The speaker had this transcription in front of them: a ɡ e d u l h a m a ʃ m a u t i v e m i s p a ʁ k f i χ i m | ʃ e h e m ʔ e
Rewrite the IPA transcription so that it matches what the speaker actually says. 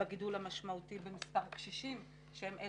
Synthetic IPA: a ɡ i d u l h a m a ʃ m a u t i b e m i s p a ʁ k ʃ i ʃ i m | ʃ e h e m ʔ e